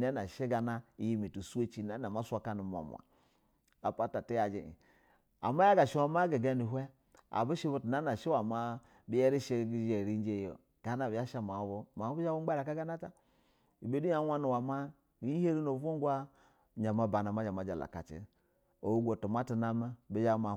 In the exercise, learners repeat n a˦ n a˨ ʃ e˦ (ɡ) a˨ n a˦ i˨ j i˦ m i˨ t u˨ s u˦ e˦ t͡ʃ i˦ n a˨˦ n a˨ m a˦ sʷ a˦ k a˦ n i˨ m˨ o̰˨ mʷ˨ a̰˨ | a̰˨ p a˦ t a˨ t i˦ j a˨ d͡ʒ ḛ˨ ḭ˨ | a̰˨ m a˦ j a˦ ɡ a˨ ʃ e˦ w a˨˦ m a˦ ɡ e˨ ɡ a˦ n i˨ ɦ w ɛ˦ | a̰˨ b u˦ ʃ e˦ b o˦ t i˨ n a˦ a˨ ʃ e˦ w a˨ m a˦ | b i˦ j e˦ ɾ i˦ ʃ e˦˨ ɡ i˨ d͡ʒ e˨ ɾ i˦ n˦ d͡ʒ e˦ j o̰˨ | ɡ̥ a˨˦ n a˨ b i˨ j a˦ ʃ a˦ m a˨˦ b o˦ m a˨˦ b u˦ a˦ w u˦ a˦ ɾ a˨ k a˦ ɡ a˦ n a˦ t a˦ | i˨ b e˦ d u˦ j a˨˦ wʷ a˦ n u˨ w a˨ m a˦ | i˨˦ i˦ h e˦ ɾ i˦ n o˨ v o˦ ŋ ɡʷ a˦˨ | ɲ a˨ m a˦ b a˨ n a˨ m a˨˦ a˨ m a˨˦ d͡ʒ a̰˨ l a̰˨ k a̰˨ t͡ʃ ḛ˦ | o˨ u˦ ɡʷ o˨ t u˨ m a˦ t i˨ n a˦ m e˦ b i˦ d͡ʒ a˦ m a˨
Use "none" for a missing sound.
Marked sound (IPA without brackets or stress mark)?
ɡ